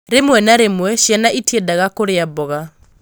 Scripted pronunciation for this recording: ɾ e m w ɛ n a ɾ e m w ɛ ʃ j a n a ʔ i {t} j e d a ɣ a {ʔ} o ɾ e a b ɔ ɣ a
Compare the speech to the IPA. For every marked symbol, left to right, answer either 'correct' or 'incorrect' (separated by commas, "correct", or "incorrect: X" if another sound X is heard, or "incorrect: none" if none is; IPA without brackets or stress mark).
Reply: correct, incorrect: k